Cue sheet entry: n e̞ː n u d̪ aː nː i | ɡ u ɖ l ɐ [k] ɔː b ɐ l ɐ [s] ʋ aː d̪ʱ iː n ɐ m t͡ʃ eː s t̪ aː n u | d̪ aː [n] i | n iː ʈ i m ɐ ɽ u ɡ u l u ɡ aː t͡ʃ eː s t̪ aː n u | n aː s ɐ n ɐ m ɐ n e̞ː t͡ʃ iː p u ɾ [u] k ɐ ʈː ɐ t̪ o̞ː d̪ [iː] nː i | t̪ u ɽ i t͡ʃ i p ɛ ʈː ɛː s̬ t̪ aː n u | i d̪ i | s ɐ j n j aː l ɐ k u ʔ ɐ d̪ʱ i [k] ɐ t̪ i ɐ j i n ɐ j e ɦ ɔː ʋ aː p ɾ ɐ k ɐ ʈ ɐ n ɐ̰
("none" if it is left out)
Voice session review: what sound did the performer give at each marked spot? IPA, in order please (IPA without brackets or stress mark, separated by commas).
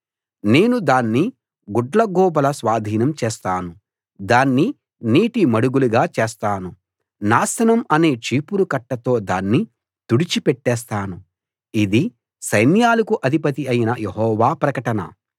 ɡ, s, nː, u, aː, p